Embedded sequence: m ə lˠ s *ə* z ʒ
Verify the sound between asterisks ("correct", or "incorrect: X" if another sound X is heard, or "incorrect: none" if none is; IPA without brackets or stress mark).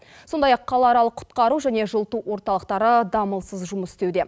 correct